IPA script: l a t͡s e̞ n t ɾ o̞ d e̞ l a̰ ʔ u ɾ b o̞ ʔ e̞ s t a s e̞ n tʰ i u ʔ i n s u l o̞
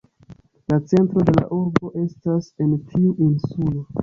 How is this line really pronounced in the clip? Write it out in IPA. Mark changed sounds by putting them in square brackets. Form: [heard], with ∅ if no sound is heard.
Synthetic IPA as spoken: l a t͡s e̞ n t ɾ o̞ d e̞ l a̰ ʔ u ɾ b o̞ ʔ e̞ s t a s e̞ n tʰ i u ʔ i n s u l o̞